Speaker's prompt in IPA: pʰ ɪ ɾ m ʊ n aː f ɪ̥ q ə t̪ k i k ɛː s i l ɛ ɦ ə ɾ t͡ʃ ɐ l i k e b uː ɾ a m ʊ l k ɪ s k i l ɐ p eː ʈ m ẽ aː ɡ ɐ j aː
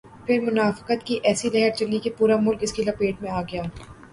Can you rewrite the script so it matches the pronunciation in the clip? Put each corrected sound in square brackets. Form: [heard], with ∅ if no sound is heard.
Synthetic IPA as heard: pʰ ɪ ɾ m ʊ n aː f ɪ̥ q ə t̪ k i [ʔ] ɛː s i l ɛ ɦ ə ɾ t͡ʃ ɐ l i k e [p] uː ɾ a m ʊ l k ɪ s k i l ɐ p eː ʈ m ẽ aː ɡ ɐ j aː